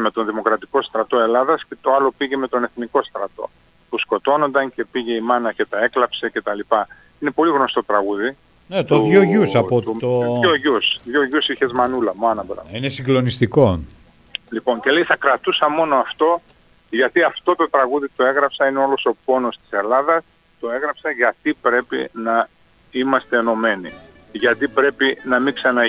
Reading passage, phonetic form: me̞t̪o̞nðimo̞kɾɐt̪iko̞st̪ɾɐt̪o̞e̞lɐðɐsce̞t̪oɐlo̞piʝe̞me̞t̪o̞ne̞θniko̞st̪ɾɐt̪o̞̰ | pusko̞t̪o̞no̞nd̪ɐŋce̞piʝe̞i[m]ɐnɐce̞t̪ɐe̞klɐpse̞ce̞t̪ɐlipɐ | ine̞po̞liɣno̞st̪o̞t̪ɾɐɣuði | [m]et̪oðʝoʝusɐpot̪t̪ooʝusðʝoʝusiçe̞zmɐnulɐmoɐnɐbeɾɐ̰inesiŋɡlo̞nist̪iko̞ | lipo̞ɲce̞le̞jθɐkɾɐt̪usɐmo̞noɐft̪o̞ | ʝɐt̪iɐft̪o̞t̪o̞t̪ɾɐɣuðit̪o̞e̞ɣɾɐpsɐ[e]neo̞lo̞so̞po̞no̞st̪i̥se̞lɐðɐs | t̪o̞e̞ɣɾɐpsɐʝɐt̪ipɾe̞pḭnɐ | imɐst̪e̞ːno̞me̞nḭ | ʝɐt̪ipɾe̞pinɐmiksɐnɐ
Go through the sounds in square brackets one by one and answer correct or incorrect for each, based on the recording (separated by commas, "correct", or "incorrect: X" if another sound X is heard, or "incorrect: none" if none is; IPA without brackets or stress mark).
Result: correct, incorrect: n, incorrect: i